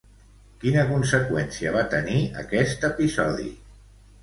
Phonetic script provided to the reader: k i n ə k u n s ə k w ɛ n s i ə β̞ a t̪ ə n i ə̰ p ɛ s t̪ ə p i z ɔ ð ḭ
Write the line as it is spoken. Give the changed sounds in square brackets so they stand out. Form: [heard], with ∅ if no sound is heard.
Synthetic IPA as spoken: k i n ə k u n s ə k w ɛ n s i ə β̞ a t̪ ə n i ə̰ [k] ɛ s t̪ ə p i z ɔ ð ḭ